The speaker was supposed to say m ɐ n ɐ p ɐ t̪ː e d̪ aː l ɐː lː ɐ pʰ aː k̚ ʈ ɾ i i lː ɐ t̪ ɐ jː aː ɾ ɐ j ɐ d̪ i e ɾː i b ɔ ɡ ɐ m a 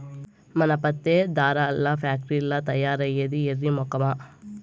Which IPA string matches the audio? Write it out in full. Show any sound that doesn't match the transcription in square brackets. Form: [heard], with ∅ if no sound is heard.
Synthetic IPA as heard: m ɐ n ɐ p ɐ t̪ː e d̪ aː [ɾ] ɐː lː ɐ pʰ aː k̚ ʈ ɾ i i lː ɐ t̪ ɐ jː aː ɾ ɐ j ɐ d̪ i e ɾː i [m] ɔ [k] ɐ m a